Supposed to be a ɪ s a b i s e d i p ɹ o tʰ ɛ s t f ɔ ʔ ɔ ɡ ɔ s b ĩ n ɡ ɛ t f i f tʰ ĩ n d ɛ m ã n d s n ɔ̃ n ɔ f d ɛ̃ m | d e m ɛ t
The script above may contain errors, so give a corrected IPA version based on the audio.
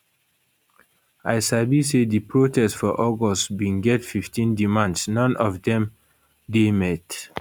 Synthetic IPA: a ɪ s a b i s e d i p ɹ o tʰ ɛ s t f ɔ ʔ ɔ ɡ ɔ s b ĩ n ɡ ɛ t f i f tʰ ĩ n d i m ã n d s n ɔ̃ n ɔ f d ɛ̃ m | d e m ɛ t